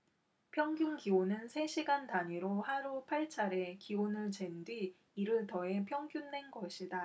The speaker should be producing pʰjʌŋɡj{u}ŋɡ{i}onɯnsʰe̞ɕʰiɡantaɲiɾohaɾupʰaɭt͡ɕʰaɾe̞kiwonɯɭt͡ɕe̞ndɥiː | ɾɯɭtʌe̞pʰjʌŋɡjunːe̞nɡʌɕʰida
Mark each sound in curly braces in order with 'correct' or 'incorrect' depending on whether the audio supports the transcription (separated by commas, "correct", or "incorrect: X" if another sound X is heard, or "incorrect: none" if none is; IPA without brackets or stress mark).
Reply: correct, correct